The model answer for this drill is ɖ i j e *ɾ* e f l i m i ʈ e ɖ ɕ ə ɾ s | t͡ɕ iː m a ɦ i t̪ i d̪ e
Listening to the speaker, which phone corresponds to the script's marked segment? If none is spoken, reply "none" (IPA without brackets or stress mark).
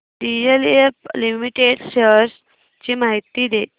l